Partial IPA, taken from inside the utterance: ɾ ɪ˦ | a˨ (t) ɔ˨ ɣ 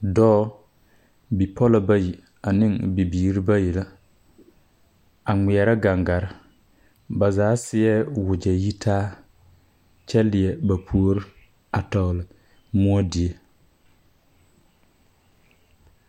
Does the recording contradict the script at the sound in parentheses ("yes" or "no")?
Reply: no